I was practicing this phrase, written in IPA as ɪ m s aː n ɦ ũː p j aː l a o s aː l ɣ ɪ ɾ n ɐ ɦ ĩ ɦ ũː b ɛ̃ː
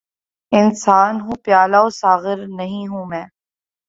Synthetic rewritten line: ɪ n s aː n ɦ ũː p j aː l a o s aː ɣ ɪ ɾ n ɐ ɦ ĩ ɦ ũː m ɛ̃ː